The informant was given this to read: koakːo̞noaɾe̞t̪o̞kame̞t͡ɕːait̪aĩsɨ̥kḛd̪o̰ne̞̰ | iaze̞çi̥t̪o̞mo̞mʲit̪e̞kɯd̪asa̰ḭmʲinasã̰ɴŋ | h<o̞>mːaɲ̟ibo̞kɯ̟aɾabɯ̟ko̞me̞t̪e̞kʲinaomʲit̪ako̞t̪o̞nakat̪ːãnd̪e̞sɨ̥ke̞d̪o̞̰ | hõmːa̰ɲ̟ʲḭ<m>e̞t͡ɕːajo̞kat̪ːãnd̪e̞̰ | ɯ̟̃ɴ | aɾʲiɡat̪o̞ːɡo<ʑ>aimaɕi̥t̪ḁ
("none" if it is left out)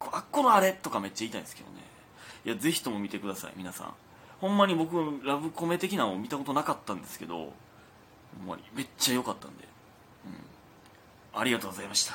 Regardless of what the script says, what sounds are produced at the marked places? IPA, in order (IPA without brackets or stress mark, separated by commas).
õ̞, m, z